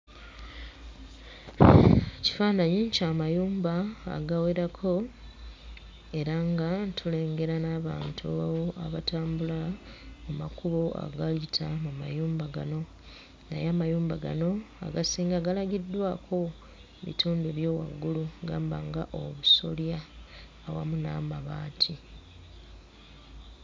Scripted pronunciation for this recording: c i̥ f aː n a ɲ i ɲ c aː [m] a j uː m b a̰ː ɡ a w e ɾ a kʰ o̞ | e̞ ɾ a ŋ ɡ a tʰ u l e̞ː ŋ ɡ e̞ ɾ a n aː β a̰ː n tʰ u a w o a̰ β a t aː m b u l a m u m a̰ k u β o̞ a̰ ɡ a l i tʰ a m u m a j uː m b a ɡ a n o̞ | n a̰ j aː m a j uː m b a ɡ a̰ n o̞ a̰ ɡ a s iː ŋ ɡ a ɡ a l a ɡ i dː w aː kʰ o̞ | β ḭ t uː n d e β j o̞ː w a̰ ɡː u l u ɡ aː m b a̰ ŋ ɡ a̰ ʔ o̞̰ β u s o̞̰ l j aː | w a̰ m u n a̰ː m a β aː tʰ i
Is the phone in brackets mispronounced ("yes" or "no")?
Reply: no